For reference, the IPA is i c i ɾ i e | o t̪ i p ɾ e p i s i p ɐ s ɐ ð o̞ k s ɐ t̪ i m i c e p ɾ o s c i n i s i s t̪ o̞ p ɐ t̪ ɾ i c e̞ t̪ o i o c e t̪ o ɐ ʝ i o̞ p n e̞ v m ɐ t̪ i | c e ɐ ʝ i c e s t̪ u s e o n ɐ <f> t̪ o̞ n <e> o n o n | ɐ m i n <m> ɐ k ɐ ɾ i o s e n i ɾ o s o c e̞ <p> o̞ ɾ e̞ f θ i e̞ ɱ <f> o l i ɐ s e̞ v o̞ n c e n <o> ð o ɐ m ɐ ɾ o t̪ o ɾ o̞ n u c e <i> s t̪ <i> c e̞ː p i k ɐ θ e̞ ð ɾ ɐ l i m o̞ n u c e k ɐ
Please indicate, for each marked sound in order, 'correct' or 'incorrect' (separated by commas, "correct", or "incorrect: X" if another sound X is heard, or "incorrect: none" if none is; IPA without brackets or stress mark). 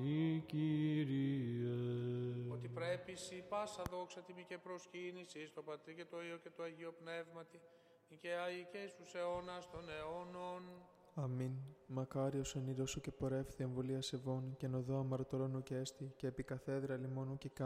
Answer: incorrect: s, correct, correct, correct, incorrect: v, correct, incorrect: e, correct